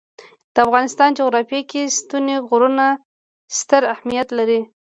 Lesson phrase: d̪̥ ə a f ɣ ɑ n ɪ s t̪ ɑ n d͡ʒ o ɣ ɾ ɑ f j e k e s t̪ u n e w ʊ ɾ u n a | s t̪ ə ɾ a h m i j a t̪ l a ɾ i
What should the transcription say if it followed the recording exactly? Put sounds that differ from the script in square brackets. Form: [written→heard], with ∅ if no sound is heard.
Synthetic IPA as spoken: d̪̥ ə a f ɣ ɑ n ɪ s t̪ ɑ n d͡ʒ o ɣ ɾ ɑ f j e k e s t̪ u n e [w→ɣ] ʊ ɾ u n a | s t̪ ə ɾ a h m i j a t̪ l a ɾ i